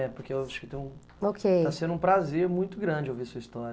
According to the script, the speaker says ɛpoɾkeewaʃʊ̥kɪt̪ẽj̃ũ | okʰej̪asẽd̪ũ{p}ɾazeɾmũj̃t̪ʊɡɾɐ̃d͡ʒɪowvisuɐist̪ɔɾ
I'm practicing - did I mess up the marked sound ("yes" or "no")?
no